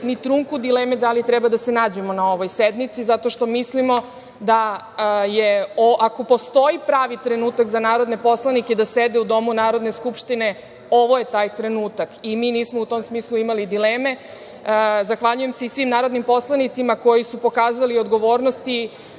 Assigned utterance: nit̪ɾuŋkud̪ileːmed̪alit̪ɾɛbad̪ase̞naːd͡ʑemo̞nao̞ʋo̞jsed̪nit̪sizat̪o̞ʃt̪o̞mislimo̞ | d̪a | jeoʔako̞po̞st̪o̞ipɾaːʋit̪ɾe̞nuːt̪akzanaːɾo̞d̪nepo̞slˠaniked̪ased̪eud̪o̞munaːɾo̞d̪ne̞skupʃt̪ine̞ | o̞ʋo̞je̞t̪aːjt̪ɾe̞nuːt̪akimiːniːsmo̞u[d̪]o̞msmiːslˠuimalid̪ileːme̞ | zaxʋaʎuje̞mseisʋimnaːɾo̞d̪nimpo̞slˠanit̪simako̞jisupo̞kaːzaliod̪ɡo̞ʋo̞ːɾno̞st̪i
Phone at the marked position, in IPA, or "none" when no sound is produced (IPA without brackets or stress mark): t̪